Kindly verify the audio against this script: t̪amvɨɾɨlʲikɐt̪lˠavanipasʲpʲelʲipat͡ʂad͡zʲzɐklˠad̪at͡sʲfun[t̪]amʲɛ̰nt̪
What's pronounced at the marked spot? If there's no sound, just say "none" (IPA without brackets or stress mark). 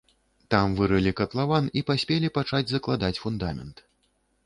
d̪